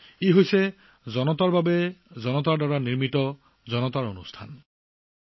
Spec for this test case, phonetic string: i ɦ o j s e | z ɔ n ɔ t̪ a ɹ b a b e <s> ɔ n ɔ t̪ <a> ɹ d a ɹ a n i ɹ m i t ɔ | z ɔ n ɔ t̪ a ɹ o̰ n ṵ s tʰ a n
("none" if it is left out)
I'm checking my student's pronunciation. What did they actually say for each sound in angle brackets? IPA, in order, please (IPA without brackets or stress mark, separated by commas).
z, a